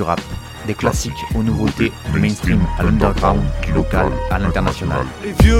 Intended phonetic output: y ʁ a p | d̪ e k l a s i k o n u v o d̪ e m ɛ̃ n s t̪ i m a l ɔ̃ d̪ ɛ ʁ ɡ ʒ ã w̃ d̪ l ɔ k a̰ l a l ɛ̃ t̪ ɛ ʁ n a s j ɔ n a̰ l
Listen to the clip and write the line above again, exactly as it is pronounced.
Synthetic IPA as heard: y ʁ a p | d̪ e k l a s i k o n u v o t̪ e m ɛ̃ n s t̪ i m a l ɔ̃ d̪ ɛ ʁ ɡ ʁ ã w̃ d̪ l ɔ k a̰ l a l ɛ̃ t̪ ɛ ʁ n a s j ɔ n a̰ l